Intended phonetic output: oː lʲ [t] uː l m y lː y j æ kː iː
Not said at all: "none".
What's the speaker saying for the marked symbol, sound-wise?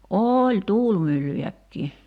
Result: t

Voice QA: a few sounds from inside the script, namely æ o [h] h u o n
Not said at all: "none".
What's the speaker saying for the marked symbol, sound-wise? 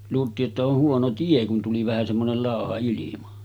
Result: h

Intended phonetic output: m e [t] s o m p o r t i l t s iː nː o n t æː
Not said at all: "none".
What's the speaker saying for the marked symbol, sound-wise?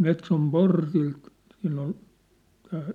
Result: t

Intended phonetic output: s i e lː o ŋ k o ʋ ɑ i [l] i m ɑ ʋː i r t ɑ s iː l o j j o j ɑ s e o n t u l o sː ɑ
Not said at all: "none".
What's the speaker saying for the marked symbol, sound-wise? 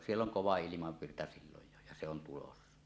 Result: l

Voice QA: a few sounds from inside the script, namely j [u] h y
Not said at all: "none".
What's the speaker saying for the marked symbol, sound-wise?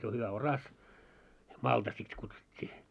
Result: o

